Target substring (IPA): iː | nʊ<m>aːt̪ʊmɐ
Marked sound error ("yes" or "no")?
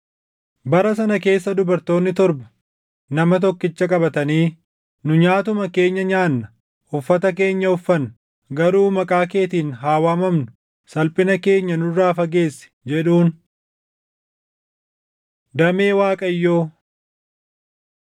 yes